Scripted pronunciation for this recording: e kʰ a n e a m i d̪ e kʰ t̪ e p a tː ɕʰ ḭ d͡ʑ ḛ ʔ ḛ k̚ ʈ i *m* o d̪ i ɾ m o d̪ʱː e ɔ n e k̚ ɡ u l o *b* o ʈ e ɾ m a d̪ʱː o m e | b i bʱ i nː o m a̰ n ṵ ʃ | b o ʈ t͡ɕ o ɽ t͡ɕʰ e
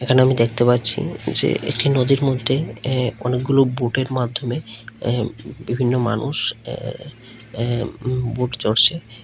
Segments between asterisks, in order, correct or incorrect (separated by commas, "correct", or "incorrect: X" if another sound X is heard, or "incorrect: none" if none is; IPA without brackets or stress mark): incorrect: n, correct